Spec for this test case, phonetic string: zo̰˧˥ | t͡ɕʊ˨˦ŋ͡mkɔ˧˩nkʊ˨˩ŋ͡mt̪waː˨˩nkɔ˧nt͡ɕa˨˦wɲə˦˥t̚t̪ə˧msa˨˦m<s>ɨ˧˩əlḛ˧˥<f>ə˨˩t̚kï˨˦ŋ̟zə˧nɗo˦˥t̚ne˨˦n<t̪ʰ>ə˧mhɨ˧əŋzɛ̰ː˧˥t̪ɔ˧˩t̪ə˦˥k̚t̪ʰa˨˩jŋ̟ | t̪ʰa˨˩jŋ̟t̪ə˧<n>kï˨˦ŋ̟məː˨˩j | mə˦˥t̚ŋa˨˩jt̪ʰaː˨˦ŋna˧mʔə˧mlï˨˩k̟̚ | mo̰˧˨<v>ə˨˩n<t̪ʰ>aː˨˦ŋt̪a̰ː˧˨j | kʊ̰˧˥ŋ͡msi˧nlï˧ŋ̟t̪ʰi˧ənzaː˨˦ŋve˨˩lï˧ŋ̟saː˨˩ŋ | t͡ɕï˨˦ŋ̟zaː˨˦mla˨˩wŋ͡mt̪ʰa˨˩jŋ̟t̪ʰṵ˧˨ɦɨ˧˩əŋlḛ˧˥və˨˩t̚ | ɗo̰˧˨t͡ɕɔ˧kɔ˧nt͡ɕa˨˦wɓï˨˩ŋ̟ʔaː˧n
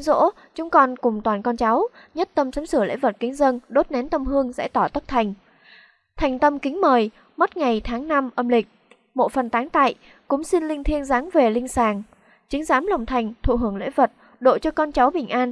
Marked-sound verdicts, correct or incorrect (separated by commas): correct, incorrect, incorrect, incorrect, incorrect, incorrect